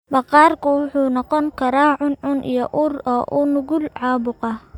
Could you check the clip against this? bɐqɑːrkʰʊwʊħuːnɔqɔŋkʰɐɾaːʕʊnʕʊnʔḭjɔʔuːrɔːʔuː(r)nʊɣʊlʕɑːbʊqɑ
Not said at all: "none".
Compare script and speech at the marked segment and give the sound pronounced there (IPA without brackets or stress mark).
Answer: none